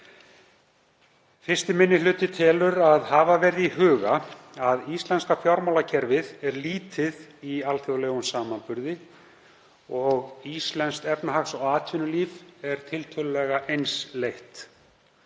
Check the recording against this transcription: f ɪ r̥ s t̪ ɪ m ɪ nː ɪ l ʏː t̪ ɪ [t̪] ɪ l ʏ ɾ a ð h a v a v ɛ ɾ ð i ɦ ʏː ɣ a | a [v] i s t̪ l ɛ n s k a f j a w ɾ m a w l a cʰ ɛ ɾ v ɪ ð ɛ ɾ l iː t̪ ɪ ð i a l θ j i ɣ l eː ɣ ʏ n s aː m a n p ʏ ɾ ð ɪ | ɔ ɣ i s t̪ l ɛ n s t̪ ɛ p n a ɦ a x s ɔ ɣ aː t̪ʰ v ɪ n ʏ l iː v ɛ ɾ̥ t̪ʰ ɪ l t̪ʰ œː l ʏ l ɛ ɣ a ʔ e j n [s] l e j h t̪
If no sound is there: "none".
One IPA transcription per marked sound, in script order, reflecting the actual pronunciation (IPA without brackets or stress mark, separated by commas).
t̪ʰ, ð, s